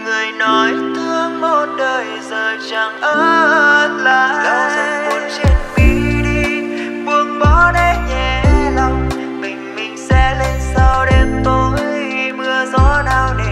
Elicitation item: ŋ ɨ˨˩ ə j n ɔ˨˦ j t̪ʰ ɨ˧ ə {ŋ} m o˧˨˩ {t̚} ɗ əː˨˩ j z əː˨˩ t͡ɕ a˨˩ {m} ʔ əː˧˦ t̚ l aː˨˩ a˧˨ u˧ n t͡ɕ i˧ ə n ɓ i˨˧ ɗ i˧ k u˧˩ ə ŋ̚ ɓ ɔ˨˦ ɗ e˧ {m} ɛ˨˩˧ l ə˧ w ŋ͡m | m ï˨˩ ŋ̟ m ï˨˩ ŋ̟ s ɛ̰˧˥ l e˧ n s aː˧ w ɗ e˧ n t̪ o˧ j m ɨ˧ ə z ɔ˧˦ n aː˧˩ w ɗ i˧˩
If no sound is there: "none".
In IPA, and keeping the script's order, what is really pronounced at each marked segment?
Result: ŋ, t̚, ŋ, ɲ

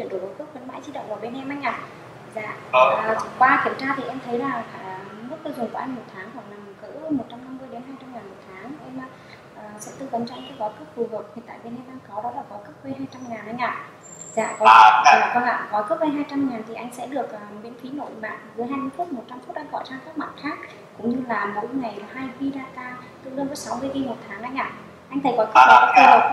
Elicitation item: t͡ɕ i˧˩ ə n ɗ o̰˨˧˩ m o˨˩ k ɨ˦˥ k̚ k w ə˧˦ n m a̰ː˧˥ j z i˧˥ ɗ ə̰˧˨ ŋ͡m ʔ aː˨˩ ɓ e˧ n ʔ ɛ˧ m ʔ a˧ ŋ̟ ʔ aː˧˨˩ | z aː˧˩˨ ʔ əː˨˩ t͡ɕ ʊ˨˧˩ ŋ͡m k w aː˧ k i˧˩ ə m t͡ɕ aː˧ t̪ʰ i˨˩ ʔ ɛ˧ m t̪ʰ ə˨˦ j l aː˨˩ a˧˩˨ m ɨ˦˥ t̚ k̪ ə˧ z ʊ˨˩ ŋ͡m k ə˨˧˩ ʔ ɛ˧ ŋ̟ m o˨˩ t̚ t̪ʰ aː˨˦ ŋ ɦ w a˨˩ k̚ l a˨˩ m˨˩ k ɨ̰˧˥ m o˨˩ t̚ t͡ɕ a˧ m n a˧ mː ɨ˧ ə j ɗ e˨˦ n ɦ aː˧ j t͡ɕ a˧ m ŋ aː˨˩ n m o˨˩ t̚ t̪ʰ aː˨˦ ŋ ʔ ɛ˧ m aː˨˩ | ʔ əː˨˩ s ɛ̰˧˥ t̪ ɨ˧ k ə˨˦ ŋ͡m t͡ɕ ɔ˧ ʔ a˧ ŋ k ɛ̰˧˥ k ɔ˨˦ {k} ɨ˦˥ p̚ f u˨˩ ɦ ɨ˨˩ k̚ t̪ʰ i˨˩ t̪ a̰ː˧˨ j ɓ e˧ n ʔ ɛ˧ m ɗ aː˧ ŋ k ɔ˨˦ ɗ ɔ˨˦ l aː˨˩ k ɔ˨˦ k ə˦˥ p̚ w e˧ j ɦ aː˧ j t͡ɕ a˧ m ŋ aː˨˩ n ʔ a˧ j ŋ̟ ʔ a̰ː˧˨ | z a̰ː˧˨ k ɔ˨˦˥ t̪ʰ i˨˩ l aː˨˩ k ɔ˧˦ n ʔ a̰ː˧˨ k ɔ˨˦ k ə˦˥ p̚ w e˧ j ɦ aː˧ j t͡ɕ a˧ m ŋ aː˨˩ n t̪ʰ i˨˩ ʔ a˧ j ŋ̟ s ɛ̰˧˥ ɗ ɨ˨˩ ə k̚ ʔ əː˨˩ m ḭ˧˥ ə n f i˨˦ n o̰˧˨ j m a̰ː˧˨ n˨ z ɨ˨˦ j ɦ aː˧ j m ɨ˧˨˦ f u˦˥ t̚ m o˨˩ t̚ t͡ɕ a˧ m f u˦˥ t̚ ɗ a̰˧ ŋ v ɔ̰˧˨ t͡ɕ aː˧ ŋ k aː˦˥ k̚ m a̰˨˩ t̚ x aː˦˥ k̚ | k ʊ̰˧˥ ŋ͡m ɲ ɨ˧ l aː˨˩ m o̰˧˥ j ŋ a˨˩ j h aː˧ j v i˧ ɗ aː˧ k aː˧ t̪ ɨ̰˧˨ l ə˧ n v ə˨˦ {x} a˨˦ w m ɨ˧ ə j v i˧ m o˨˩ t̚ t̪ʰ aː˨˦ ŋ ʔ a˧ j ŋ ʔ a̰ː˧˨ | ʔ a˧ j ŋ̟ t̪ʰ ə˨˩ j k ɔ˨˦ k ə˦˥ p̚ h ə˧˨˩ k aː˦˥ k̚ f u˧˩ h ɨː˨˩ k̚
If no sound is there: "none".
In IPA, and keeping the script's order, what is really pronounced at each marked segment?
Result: k, s

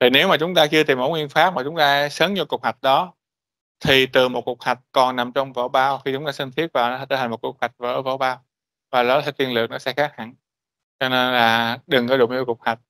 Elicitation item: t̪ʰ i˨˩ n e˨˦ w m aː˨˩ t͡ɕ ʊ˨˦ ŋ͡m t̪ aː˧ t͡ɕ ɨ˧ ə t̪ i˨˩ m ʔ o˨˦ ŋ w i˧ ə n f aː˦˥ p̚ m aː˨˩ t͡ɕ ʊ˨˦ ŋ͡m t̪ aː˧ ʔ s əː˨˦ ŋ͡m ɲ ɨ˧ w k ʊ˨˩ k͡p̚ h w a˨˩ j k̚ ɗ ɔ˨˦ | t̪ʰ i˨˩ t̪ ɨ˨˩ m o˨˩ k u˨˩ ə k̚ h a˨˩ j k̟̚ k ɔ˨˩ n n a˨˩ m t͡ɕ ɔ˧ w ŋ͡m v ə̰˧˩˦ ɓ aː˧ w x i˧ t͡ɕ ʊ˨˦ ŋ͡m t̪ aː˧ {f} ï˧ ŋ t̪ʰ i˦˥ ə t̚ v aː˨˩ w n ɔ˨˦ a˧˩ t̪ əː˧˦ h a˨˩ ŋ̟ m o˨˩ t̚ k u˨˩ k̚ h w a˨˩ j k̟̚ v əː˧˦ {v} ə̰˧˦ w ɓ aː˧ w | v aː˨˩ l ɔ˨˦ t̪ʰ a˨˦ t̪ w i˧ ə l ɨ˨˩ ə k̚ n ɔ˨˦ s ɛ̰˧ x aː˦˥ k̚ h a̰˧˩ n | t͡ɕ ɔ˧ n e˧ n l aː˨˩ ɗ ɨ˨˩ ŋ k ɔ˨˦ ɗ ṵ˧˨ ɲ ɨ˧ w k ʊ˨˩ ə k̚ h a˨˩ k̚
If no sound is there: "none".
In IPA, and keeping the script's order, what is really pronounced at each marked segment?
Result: s, v

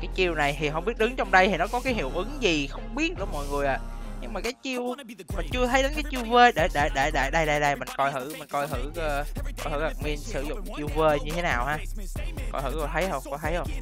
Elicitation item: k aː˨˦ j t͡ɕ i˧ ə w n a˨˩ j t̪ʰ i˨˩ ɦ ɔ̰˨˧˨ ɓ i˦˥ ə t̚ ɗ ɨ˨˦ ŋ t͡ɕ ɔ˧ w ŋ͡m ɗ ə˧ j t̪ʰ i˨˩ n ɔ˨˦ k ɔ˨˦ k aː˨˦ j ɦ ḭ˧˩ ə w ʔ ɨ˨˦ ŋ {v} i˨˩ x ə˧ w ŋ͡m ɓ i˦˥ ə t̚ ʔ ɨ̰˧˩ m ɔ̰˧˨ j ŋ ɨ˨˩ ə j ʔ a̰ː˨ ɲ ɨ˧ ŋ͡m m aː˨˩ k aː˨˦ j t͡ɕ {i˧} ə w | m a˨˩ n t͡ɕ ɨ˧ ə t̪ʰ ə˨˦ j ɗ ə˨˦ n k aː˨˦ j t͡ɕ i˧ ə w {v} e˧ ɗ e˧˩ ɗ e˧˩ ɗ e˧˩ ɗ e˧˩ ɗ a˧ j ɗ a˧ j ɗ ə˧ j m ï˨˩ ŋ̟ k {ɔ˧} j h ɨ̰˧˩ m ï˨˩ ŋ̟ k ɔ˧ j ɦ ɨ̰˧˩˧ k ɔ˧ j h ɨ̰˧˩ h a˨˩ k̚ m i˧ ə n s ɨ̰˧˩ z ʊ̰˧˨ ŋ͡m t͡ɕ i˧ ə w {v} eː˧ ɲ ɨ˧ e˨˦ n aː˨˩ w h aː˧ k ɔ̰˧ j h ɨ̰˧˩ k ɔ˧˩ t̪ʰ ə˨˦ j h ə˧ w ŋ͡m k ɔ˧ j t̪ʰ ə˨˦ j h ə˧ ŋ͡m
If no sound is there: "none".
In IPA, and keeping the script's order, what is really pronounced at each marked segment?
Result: z, i˧, v, ɔ˧, v

